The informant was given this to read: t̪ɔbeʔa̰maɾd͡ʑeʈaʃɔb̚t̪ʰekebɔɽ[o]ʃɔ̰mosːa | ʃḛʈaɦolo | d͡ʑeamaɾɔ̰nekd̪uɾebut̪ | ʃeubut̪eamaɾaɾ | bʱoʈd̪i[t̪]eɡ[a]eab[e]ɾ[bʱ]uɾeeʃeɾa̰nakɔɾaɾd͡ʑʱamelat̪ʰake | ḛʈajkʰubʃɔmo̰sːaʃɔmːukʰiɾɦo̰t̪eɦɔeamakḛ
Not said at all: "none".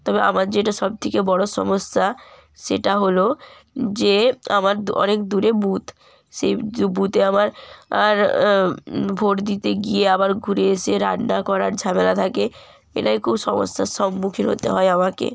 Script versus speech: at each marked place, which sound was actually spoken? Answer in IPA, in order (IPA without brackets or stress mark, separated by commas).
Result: o, t̪, i, a, ɡʱ